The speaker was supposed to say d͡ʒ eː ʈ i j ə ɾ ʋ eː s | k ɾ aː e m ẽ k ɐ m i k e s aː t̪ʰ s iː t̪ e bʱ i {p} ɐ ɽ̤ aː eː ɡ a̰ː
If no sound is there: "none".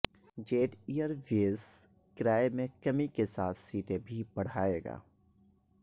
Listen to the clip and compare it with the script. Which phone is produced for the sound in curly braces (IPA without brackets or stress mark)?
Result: b